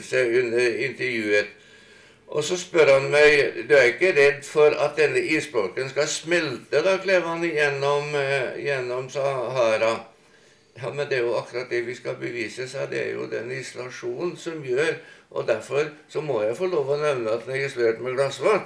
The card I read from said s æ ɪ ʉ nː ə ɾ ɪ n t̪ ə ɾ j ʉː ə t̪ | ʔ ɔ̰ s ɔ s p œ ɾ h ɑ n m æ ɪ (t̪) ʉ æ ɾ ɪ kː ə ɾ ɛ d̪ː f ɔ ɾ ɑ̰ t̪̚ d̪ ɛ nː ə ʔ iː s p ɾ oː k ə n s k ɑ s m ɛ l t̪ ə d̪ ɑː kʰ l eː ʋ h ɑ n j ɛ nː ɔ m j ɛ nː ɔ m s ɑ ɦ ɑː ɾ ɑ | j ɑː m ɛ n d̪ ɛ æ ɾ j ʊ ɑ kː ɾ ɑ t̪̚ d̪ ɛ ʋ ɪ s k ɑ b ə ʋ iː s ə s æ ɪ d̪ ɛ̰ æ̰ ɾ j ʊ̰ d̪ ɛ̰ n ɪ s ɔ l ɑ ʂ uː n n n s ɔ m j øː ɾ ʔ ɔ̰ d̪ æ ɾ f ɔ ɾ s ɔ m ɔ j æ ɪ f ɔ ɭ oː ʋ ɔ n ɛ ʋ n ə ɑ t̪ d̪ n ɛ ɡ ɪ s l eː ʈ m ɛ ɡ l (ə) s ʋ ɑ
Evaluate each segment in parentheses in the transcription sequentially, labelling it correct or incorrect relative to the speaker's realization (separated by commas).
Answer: incorrect, incorrect